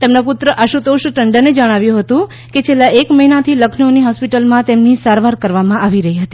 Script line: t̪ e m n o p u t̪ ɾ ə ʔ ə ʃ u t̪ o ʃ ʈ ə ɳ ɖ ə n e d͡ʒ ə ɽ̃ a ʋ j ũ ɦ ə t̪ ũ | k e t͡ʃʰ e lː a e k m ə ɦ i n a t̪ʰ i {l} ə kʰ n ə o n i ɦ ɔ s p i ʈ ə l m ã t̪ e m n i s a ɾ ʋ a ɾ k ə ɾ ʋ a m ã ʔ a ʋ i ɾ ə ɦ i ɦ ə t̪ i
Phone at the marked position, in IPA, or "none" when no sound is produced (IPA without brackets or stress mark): l